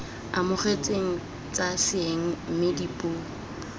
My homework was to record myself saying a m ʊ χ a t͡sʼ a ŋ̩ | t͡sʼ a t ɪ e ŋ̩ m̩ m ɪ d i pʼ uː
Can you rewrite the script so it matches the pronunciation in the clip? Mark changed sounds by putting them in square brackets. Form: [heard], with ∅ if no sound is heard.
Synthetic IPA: a m ʊ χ [e] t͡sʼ [e] ŋ̩ | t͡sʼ a [s] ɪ e ŋ̩ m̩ m ɪ d i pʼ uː